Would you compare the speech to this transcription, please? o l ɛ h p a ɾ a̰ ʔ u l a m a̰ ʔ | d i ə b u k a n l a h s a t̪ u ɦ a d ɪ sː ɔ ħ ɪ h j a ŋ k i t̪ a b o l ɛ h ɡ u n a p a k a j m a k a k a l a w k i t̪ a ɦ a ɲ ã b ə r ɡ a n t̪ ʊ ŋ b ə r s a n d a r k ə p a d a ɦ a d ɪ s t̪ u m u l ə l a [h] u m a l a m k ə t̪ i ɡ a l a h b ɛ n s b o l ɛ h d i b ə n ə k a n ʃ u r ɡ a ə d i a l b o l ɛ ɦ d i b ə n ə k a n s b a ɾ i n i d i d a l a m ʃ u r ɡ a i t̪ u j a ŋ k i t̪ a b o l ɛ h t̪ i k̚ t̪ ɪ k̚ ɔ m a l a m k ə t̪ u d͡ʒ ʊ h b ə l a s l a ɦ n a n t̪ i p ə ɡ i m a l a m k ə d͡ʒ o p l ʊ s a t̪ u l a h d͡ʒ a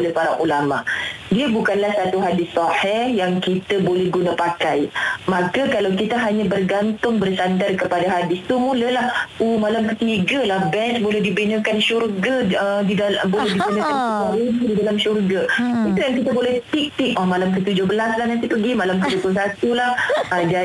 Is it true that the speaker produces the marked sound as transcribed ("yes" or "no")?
yes